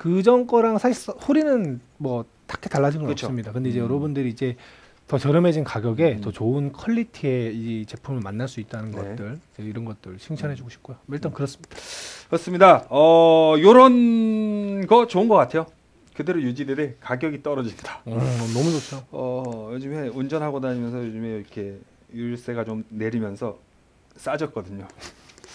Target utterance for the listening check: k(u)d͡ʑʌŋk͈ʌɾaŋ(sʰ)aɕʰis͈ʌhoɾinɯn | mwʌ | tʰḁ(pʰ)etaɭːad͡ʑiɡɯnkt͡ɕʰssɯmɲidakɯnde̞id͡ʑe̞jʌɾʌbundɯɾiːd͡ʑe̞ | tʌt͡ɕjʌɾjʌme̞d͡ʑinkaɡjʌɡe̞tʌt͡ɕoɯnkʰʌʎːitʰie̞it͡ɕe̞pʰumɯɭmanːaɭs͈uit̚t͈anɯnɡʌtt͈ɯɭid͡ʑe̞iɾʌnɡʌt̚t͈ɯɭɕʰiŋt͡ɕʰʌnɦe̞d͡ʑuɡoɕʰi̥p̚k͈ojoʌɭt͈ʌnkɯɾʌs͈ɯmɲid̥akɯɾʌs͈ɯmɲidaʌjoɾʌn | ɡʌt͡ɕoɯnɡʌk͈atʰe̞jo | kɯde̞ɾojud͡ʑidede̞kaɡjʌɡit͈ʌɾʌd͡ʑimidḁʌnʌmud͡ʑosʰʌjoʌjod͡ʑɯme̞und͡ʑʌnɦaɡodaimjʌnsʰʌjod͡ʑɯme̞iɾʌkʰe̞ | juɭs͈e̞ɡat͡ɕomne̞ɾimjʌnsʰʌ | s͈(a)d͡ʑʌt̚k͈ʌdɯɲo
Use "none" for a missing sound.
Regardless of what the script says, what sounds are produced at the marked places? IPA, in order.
ɯ, sʰ, kʰ, a

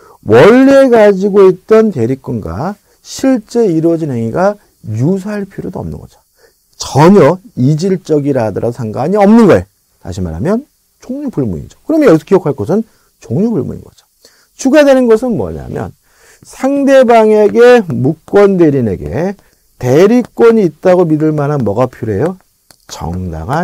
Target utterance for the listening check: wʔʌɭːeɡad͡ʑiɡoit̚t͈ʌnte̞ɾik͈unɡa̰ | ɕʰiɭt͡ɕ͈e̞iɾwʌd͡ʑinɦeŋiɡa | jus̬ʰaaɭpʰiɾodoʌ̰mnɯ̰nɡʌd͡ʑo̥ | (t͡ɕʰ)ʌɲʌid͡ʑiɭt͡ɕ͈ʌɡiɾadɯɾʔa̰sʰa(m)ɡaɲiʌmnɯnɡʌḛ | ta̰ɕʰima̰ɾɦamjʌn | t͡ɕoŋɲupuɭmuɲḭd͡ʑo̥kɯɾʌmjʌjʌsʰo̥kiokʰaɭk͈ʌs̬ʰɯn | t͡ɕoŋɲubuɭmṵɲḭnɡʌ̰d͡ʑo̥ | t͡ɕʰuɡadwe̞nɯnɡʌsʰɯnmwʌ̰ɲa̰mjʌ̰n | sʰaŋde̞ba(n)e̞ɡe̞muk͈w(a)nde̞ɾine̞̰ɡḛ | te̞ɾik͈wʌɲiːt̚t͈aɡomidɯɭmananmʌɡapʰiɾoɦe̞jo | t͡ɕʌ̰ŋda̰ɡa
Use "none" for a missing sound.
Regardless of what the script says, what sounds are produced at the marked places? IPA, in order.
t͡ɕ, ŋ, ŋ, ʌ

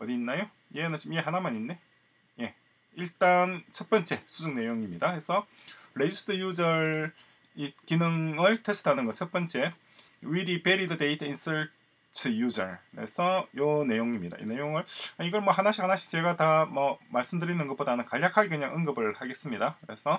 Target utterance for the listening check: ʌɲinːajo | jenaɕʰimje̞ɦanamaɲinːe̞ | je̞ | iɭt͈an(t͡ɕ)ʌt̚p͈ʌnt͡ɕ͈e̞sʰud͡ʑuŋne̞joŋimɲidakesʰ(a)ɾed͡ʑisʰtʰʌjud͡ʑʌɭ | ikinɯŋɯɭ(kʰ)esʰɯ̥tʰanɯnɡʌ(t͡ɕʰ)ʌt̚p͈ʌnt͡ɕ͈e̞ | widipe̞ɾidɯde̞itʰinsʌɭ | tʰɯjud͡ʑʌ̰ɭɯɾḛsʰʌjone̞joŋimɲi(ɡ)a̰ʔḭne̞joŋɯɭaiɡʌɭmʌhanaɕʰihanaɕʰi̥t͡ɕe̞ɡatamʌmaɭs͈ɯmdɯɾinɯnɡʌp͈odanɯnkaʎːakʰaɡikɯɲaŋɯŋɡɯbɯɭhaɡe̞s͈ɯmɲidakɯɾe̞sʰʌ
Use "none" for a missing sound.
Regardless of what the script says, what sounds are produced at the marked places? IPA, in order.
t͡ɕʰ, ʌ, tʰ, t͡ɕʰ, d

